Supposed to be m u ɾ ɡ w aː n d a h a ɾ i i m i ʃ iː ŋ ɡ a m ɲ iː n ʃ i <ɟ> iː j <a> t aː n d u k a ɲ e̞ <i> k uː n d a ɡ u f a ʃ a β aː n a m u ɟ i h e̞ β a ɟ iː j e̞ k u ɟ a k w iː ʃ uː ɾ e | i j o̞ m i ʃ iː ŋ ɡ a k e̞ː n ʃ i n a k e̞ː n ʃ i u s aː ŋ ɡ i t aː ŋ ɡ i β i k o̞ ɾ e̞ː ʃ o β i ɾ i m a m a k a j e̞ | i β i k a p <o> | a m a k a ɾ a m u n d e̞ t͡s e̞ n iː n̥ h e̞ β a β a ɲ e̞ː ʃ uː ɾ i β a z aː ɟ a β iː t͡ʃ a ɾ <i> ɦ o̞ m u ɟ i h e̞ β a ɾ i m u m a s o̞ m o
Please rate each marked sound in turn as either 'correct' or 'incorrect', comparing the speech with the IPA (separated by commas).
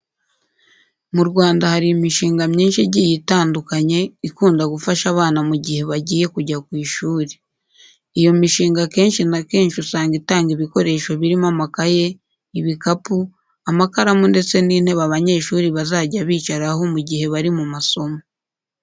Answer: correct, incorrect, correct, incorrect, incorrect